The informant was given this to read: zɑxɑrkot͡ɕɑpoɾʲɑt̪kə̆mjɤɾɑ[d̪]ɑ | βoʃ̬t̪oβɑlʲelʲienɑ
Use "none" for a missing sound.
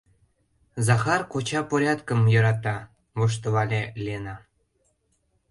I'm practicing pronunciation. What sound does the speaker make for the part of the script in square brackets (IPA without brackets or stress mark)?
t̪